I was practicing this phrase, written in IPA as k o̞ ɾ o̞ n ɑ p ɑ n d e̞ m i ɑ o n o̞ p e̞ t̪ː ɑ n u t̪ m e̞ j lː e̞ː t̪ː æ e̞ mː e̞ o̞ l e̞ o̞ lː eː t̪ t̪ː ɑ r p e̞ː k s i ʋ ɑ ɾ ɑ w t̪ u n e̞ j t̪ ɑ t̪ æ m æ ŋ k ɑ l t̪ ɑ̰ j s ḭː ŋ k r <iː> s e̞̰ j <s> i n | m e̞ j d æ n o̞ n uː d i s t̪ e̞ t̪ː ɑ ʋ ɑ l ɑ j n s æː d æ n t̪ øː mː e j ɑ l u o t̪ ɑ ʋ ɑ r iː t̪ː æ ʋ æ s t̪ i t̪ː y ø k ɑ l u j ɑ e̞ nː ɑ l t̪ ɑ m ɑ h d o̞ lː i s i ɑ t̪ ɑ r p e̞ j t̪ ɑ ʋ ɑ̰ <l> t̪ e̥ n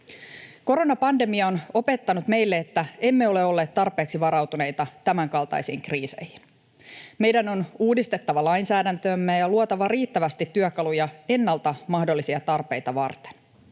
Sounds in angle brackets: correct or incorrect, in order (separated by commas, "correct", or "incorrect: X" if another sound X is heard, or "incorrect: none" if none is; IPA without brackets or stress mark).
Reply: correct, incorrect: h, incorrect: r